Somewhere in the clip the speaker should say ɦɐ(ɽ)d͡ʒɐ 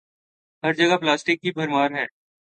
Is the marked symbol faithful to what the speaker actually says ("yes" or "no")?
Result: no